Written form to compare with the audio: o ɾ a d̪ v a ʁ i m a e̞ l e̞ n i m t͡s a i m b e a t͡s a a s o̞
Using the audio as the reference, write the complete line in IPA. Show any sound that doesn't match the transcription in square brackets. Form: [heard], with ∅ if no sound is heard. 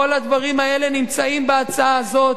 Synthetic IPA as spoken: o [l] a d̪ v a ʁ i m a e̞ l e̞ n i m t͡s a i m b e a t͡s a a [z] o̞